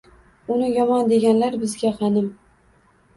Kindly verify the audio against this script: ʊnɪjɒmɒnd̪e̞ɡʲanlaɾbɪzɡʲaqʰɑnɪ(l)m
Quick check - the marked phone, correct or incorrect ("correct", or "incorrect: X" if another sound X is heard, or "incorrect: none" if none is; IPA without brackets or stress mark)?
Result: incorrect: none